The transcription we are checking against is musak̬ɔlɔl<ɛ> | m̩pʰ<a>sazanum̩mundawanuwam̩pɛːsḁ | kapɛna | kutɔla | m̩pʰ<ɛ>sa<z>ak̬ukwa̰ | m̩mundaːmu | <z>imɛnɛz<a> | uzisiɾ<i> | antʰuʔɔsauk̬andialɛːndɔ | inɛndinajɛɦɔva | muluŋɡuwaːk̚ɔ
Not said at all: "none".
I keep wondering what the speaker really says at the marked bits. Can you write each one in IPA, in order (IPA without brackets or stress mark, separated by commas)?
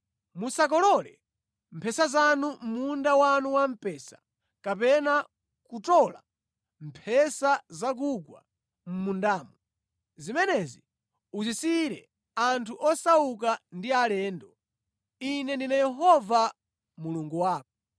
ɛ, ɛ, ɛ, z, z, i, ɛ